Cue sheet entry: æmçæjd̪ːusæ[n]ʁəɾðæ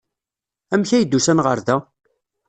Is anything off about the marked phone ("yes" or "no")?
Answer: no